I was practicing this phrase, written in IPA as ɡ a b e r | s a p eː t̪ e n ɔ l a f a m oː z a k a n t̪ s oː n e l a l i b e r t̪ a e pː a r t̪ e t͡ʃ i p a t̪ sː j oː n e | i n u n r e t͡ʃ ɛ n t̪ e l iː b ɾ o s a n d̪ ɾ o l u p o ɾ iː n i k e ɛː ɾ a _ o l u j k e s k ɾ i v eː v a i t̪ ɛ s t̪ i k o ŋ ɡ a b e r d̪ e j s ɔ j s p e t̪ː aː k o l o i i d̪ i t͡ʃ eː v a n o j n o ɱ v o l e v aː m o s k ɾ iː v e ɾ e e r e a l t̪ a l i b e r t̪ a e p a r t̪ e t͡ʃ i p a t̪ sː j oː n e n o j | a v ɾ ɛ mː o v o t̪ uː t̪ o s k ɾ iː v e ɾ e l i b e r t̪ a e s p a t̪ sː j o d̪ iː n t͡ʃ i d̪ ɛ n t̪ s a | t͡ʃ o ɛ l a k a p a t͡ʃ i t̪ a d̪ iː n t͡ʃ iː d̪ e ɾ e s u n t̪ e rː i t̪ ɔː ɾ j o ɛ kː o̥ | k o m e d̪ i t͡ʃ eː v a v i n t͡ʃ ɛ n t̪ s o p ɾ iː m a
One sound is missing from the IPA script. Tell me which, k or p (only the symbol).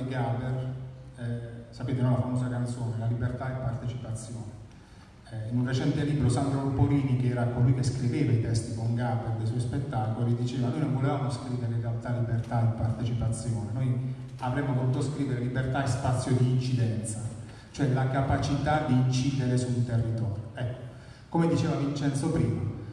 k